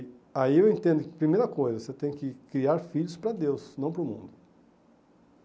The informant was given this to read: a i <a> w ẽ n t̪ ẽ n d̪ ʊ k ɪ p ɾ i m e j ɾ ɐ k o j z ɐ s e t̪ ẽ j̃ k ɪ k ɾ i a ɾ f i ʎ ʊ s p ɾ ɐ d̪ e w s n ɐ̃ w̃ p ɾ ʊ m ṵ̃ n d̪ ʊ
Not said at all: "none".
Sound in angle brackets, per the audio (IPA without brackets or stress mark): e